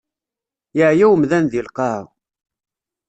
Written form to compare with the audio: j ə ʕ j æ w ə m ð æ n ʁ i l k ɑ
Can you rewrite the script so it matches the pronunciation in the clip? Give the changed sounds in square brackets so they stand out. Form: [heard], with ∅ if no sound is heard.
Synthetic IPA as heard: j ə ʕ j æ w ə m ð æ n [ð] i l [q] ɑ

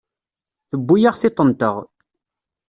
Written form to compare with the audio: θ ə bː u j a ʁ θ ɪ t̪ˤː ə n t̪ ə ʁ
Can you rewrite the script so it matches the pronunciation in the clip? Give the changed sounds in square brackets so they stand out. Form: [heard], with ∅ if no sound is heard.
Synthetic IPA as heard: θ ə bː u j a ʁ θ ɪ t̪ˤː ə n t̪ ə ʁ

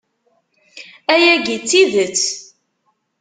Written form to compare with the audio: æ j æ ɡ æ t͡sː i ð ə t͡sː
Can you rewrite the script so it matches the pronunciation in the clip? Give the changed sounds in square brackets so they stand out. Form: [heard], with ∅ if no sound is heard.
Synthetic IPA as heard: æ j æ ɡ [i] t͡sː i ð ə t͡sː

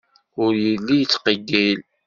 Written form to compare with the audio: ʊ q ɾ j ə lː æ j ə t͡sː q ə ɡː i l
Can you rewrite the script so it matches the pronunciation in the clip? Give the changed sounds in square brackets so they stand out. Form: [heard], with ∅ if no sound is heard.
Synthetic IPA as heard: ʊ [∅] ɾ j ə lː [i] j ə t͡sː q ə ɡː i l

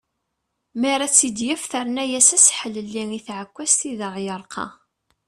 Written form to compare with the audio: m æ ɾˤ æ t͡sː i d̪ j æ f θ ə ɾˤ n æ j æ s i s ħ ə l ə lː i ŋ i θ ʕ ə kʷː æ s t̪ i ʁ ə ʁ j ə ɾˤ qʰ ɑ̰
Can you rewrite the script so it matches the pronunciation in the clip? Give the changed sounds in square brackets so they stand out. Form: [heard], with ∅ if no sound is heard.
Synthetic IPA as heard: m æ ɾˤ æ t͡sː i d̪ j æ f θ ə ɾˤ n æ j æ s [æ] s ħ ə l ə lː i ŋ i θ ʕ ə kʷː æ s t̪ i [ð] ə ʁ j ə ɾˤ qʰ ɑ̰

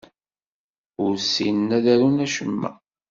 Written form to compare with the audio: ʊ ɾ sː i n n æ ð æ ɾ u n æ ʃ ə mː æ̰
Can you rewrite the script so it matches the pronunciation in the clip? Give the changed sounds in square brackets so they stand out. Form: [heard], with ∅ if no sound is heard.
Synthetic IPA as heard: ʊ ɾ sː i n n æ ð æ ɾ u n æ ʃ ə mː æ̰

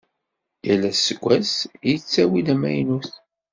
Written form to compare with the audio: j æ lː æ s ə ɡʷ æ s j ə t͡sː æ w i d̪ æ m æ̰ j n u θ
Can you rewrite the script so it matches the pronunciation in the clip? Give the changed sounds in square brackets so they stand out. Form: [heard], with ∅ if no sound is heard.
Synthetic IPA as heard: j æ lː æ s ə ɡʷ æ s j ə t͡sː æ w i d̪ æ m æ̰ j n u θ

